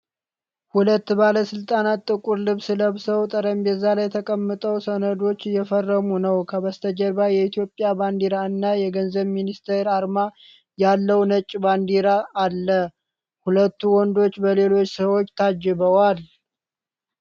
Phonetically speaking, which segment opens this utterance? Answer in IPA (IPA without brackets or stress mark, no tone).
h